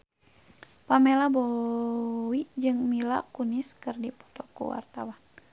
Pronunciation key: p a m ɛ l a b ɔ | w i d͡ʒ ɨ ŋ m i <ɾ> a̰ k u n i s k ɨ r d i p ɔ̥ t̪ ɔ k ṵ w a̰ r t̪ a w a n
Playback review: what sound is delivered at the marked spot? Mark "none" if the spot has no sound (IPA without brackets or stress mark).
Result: l